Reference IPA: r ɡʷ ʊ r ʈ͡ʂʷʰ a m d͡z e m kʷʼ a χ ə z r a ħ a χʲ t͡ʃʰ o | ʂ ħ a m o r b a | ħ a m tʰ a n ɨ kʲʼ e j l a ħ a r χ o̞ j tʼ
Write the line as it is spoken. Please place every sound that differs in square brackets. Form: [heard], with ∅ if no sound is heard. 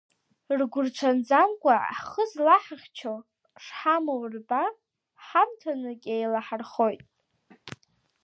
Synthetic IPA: r ɡʷ ʊ r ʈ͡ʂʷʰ a [n] d͡z [a] m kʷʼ a χ ə z [l] a ħ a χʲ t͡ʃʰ o | ʂ ħ a m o r b a | ħ a m tʰ a n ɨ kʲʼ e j l a ħ a r χ o̞ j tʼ